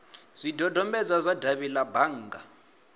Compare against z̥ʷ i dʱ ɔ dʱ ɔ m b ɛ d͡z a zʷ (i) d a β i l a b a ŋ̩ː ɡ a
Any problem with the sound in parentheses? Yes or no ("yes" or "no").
yes